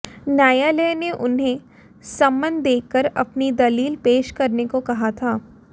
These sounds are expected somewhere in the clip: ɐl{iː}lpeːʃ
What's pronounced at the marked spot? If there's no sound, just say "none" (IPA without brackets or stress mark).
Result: iː